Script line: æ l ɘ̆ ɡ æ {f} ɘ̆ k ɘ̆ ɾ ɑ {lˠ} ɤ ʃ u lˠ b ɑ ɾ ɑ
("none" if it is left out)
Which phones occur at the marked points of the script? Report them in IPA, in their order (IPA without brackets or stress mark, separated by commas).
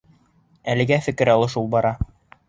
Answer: f, lˠ